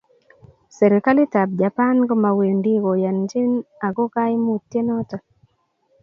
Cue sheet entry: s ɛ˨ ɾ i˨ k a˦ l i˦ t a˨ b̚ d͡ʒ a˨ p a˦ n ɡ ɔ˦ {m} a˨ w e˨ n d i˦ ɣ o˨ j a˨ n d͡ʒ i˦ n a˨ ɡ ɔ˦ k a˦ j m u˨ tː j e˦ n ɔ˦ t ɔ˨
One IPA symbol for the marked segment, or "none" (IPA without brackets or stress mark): m